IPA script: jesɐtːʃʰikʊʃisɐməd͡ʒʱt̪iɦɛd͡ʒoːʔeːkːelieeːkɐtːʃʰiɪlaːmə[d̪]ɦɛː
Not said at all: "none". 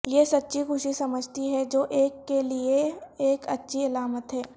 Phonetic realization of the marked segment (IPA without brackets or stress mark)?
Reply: t̪